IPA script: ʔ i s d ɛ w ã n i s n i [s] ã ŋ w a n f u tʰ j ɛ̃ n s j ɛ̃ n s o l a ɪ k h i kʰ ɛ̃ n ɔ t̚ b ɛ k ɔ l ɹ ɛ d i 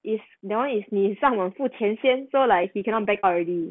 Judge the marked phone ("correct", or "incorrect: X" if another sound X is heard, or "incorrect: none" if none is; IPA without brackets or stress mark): correct